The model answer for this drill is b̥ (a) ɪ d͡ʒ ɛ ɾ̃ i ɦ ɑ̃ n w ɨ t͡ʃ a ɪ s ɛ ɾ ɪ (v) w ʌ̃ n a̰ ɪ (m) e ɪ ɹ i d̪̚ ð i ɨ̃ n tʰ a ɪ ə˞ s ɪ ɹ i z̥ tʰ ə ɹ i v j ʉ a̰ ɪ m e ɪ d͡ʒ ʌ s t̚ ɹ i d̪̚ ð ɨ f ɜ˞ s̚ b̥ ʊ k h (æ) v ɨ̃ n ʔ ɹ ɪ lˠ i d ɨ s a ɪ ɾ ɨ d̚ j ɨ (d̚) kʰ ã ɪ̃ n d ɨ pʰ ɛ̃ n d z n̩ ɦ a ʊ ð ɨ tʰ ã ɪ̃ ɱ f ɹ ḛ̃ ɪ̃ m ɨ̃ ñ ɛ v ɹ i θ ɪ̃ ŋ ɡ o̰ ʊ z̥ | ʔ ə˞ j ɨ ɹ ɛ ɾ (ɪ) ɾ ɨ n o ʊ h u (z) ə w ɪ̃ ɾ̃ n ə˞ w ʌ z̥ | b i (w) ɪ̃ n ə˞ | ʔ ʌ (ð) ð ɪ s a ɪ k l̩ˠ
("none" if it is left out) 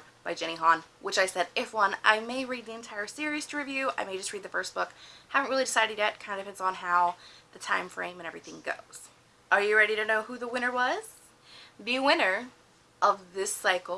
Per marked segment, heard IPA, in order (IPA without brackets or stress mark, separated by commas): a, f, m, æ, t̚, i, ð, w, v